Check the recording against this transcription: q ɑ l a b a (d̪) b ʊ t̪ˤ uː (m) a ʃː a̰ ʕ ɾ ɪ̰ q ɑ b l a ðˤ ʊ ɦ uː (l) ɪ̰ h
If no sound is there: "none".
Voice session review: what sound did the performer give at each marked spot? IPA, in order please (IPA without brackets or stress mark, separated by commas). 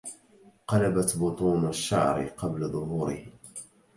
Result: t̪, n, ɾ